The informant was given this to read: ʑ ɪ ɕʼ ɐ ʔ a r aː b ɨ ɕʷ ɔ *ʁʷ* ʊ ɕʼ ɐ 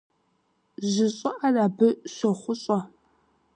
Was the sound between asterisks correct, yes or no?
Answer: no